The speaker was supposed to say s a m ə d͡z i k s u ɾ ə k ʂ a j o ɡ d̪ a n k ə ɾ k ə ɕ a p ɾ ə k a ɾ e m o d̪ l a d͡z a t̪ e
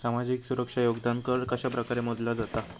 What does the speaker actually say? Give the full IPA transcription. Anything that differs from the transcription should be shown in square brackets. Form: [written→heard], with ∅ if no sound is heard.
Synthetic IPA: s a m [ə→a] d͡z i k s u ɾ ə k ʂ a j o ɡ d̪ a n k ə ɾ k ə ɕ a p ɾ ə k a ɾ e m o d̪ l a d͡z a t̪ [e→a]